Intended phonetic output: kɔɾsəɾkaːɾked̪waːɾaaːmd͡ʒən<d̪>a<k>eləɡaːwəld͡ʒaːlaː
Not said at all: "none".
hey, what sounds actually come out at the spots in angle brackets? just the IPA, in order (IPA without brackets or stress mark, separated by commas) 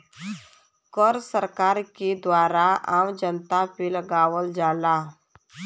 t̪, p